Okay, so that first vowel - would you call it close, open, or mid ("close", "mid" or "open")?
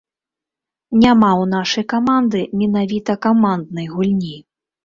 open